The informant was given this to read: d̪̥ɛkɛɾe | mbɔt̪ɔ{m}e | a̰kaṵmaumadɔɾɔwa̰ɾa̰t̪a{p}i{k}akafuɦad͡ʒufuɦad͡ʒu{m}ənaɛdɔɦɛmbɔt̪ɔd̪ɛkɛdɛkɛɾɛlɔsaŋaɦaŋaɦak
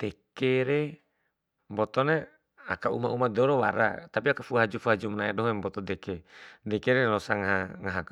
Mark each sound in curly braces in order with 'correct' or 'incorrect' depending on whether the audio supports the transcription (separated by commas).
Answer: incorrect, correct, incorrect, correct